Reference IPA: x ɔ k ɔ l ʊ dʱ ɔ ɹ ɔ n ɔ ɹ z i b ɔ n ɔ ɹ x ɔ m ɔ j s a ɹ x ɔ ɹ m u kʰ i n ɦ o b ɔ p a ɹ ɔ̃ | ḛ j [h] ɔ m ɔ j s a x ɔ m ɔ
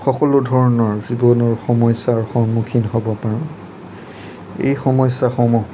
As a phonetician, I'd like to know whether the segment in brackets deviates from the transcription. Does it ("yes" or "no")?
yes